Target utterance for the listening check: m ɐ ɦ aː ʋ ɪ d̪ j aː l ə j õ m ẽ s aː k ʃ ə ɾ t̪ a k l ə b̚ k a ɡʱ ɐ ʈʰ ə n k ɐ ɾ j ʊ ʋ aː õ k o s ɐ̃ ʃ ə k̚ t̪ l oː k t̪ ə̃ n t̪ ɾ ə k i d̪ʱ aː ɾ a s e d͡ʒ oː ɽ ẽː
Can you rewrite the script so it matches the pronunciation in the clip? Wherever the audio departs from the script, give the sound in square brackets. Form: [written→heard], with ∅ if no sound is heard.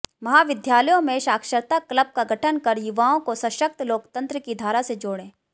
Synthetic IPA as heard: m ɐ ɦ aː ʋ ɪ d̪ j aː l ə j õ m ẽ [s→ʃ] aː k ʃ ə ɾ t̪ a k l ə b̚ k a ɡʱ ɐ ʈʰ ə n k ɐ ɾ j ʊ ʋ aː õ k o s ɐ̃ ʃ ə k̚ t̪ l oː k t̪ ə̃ n t̪ ɾ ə k i d̪ʱ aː ɾ a s e d͡ʒ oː ɽ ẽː